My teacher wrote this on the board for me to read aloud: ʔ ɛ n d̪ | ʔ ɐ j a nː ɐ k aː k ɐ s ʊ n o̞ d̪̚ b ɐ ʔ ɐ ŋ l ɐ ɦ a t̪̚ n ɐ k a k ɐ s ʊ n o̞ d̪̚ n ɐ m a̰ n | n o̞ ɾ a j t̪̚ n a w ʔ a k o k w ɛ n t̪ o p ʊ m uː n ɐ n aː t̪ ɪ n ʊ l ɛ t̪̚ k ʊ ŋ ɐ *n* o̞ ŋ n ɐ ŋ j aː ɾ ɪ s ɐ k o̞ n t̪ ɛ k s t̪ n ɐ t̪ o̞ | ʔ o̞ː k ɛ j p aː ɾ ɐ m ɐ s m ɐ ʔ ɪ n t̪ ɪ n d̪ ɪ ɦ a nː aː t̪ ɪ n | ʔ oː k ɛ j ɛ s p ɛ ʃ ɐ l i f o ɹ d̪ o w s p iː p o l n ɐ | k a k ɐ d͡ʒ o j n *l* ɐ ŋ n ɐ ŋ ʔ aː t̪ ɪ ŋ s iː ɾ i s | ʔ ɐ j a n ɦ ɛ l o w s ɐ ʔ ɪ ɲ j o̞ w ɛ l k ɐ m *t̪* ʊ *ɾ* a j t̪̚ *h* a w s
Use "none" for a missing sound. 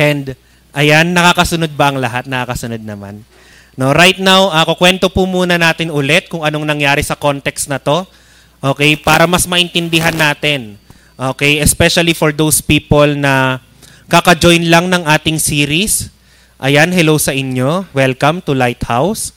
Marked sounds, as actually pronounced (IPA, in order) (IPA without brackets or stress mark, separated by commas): n, l, t̪, l, h